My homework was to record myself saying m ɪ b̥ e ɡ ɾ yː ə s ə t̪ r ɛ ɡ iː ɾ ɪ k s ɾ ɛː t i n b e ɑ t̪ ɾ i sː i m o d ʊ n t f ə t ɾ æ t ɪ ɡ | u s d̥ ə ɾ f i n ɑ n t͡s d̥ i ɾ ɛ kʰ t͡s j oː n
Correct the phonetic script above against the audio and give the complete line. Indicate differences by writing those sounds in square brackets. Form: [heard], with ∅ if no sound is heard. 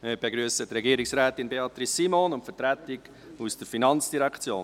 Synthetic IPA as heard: m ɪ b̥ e ɡ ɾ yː ə s ə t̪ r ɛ ɡ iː ɾ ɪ k s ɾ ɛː t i n b e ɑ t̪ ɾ i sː i m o [n] ʊ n t f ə t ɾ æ t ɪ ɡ | u s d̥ ə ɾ f i n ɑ n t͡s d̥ i ɾ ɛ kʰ t͡s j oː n

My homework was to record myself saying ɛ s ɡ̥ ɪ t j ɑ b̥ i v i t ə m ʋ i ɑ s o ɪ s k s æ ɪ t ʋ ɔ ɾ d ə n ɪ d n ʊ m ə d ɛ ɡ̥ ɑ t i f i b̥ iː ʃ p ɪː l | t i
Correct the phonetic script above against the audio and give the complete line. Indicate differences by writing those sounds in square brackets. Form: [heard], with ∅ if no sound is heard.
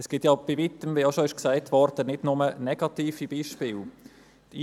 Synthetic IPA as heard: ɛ s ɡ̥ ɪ t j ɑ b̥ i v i t ə m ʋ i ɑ [ʃ] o ɪ [ʃ] k s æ ɪ t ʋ ɔ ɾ d ə n ɪ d n ʊ m ə [n] ɛ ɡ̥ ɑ t [iː] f i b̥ iː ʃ p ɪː l | t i

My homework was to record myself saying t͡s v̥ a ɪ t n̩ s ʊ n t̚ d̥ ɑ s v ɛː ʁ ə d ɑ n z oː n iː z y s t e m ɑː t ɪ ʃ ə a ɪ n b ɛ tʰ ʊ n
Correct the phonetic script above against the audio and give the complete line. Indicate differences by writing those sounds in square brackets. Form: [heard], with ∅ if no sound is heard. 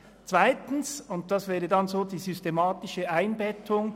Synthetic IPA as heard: t͡s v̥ a ɪ t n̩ s ʊ n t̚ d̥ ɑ s v ɛː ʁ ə d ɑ n z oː [d] iː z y s t e m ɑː t ɪ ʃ ə a ɪ n b ɛ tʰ ʊ [ŋ]

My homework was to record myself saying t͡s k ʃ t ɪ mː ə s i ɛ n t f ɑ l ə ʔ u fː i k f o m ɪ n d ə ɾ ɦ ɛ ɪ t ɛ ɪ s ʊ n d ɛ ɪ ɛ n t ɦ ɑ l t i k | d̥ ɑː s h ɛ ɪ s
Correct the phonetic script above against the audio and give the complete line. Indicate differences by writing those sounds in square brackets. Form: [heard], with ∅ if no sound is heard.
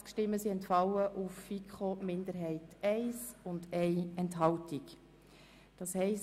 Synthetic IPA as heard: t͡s k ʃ t ɪ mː ə s i ɛ n t f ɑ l ə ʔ u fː i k [χ] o m ɪ n d ə ɾ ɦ ɛ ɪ t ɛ ɪ s ʊ n d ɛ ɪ ɛ n t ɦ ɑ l t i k | d̥ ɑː s h ɛ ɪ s

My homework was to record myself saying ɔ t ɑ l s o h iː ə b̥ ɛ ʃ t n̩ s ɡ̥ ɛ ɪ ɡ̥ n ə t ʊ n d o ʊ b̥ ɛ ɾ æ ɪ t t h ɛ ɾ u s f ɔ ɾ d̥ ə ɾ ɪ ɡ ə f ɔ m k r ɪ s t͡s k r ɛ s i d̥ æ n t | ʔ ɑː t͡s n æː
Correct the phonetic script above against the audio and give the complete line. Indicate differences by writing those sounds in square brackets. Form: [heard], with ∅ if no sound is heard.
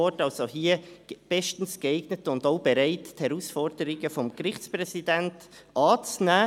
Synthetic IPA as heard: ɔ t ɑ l s o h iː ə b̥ ɛ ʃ t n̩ s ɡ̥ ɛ ɪ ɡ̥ n ə t ʊ n d o ʊ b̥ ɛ ɾ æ ɪ t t h ɛ ɾ u s f ɔ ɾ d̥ ə ɾ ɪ ɡ ə f ɔ m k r ɪ [χ] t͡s [p] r ɛ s i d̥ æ n t | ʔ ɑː t͡s n æː

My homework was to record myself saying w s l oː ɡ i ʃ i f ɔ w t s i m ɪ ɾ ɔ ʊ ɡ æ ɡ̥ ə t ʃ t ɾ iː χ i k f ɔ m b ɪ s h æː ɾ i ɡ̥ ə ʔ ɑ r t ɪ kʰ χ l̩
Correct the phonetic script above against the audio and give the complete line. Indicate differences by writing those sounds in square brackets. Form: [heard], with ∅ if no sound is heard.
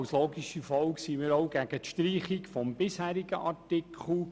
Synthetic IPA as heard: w s l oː ɡ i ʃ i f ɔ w [k] s i m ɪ ɾ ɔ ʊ ɡ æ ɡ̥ ə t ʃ t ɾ iː χ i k f ɔ m b ɪ s h æː ɾ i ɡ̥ ə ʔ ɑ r t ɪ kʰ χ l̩

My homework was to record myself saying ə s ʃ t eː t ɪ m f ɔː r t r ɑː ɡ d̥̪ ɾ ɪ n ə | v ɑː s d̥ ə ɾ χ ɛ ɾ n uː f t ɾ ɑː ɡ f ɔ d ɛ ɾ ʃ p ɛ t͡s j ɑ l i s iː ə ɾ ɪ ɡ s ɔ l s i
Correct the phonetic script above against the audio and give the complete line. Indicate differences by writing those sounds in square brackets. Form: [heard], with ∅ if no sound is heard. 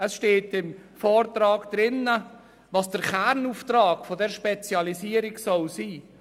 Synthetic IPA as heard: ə s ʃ t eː t ɪ m f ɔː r t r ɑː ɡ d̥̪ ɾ ɪ n ə | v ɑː s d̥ ə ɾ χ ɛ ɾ n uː f t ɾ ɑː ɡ f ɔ d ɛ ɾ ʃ p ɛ t͡s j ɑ l i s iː ə ɾ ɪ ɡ s ɔ l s [iː]

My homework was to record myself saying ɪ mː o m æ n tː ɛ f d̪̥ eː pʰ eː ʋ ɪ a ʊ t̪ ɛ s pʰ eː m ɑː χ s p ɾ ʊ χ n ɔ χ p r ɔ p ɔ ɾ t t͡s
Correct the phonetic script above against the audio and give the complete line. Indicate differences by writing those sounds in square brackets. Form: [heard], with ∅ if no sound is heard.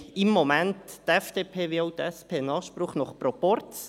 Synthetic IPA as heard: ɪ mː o m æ n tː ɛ f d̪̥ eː pʰ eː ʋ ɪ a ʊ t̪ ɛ s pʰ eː [n] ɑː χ [ʃ] p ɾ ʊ χ n ɔ χ p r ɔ p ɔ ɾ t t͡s

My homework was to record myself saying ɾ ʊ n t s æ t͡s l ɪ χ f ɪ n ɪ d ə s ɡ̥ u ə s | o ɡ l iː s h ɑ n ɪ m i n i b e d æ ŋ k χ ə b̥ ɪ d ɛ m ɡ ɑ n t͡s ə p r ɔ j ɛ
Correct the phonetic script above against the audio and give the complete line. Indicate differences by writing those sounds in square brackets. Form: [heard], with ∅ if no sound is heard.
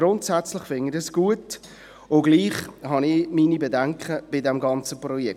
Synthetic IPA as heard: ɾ ʊ n t s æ t͡s l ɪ χ f ɪ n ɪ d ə s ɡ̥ u ə [t] | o ɡ l iː [χ] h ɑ n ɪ m i n i b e d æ ŋ k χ ə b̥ ɪ d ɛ m ɡ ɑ n t͡s ə p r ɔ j ɛ

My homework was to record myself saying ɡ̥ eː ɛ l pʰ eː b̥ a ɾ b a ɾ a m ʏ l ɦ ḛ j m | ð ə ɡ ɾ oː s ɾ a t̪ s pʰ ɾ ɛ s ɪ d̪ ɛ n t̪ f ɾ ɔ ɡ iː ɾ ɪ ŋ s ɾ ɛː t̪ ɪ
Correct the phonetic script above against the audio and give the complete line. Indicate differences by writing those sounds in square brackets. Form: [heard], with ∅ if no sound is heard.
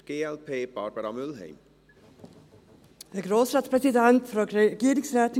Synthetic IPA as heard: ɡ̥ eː ɛ l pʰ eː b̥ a ɾ b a ɾ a m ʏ l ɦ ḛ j m | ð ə ɡ ɾ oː s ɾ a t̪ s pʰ ɾ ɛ s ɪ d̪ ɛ n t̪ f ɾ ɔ ɡ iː ɾ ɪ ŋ s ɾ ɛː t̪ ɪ

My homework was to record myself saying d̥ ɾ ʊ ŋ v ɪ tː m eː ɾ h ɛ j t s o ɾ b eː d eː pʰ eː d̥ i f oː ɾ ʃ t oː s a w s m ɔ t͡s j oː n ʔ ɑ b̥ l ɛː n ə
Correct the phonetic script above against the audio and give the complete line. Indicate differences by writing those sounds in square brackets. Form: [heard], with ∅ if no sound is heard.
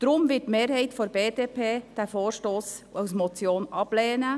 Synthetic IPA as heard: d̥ ɾ ʊ [m] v ɪ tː m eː ɾ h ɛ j t [f] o ɾ b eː d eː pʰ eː d̥ [æ] f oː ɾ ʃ t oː s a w s m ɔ t͡s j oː n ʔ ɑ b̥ l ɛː n ə

